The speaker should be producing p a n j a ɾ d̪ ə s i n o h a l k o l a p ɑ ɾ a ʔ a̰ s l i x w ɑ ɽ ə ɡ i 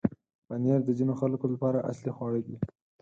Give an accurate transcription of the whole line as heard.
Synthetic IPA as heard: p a n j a ɾ d̪ ə z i n o x a l k o l a p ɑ ɾ a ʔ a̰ s l i x w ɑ ɽ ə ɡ i